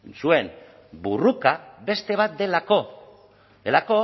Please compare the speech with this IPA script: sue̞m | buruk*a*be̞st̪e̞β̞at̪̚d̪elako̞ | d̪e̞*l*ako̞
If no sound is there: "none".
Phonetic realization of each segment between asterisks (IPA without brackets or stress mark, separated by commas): a, l